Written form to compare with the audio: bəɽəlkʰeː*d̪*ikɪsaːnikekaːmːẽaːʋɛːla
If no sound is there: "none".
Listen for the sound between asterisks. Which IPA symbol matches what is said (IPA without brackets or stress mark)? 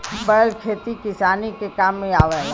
t̪